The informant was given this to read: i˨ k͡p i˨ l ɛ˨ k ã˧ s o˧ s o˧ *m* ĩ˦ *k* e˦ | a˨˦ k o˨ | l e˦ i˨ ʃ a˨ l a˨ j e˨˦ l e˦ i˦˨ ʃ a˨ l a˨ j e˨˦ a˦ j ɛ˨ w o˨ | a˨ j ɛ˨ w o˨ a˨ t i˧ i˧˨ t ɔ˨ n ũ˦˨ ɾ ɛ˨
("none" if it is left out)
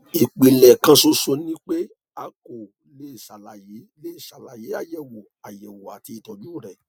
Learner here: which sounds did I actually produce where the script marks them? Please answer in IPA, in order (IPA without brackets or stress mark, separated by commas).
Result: n, k͡p